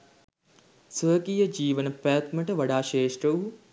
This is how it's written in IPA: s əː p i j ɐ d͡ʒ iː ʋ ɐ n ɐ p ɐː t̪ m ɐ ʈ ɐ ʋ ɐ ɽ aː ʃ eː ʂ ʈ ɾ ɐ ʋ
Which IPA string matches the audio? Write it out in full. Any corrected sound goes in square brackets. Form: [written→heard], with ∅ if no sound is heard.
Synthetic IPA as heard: s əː [p→k] i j ɐ d͡ʒ iː ʋ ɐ n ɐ p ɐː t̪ m ɐ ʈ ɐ ʋ ɐ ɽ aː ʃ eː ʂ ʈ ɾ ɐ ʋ